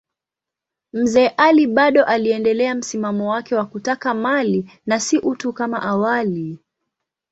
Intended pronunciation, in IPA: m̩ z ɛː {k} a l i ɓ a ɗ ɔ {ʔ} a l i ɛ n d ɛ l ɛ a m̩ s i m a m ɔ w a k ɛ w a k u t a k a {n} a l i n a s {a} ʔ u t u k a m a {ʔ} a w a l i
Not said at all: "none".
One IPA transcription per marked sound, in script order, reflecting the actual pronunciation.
ʔ, ʔ, m, i, ʔ

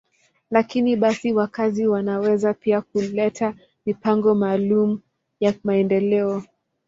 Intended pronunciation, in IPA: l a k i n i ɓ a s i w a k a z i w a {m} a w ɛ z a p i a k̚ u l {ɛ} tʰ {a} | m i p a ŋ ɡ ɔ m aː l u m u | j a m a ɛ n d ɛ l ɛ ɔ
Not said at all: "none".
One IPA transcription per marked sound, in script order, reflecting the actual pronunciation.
n, ɛ, a

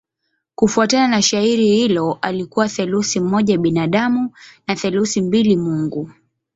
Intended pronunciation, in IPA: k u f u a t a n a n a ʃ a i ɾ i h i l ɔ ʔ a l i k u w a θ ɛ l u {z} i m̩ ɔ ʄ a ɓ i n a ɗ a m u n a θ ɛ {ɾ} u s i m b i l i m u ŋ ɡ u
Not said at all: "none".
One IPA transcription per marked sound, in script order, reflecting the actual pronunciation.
s, l

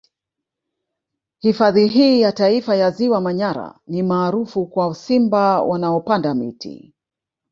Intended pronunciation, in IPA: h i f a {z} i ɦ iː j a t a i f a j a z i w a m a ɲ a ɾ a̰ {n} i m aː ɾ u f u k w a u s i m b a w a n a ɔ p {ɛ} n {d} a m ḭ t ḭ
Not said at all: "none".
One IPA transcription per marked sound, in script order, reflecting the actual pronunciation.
ð, n, a, d

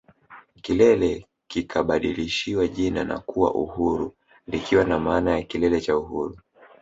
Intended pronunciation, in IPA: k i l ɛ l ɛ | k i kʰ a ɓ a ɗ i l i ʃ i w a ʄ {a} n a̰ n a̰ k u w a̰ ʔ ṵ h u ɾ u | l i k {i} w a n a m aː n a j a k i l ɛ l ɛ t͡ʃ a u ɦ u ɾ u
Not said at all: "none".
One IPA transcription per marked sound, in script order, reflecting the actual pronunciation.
i, i

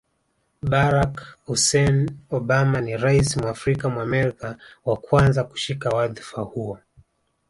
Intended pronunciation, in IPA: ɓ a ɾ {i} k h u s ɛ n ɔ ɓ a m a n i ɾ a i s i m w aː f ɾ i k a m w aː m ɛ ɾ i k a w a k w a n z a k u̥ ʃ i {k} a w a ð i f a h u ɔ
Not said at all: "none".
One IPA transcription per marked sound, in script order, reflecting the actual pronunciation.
a, k

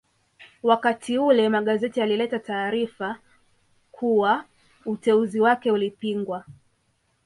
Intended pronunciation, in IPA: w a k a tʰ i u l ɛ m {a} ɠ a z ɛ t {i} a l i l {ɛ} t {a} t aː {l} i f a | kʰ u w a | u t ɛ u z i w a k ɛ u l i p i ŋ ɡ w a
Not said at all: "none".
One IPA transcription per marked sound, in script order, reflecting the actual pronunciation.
a, i, ɛ, a, ɾ

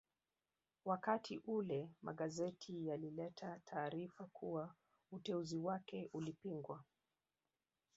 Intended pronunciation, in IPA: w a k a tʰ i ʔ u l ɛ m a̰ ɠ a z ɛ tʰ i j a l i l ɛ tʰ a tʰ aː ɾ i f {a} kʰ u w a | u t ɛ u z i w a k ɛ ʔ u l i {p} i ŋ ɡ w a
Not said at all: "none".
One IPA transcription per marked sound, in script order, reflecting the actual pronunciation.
a, p

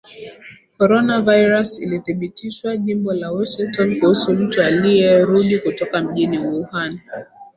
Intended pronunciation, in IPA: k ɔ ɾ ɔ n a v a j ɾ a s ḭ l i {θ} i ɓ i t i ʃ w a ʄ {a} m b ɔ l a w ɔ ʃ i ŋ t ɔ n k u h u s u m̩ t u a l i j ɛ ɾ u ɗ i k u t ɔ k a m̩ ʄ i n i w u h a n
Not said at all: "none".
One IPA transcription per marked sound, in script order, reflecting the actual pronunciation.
θ, i

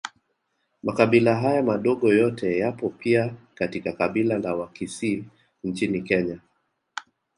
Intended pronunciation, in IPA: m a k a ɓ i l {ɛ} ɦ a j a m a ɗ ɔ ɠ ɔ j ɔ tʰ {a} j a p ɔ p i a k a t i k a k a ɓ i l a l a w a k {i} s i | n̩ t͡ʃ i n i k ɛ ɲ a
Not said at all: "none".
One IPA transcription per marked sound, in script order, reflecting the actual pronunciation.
a, ɛ, i

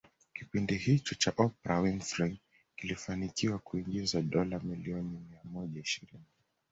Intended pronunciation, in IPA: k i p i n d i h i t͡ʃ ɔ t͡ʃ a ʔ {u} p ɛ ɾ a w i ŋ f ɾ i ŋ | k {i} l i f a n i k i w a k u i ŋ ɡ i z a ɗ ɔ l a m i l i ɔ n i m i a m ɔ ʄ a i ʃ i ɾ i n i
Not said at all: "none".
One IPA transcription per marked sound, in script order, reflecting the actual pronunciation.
ɔ, i

